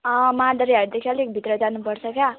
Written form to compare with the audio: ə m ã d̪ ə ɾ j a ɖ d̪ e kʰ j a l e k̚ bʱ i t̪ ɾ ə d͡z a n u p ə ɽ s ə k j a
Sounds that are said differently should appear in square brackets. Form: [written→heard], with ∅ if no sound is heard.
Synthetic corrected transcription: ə m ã d̪ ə ɾ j a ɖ d̪ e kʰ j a l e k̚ bʱ i t̪ ɾ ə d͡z a n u p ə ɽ s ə k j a